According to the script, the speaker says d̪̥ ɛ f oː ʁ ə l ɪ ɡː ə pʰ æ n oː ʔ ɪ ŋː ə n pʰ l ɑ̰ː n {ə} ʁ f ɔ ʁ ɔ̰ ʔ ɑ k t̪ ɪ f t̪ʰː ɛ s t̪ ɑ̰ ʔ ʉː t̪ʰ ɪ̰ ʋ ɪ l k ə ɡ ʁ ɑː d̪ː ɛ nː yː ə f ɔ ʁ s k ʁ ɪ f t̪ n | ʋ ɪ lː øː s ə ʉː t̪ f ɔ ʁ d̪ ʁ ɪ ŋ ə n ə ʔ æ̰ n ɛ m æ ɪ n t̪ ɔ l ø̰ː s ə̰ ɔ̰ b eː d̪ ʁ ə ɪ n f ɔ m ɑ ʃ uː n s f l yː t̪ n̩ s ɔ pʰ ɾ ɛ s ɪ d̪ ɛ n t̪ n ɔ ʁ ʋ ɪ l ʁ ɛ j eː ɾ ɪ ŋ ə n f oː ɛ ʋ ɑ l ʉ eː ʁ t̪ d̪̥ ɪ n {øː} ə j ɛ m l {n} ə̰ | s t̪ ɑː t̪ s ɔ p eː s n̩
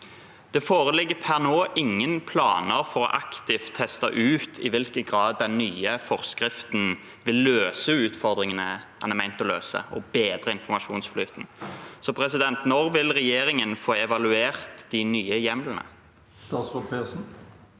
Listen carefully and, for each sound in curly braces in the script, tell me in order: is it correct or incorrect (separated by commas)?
correct, incorrect, correct